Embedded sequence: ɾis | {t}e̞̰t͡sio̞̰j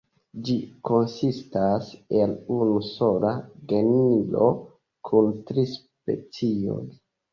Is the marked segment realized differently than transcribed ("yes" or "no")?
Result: yes